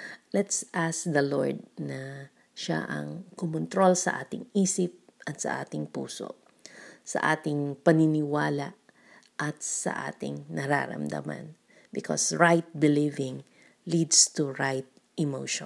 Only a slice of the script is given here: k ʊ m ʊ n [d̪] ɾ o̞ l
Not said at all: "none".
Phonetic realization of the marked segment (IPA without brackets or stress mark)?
t̪